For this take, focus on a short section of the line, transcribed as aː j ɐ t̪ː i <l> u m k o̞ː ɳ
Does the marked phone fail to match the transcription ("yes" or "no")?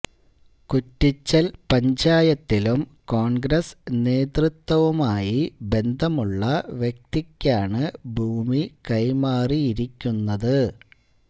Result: no